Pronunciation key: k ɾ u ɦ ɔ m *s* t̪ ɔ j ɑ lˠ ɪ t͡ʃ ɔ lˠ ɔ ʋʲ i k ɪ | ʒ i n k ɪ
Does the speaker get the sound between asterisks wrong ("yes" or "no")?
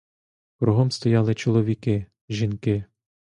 no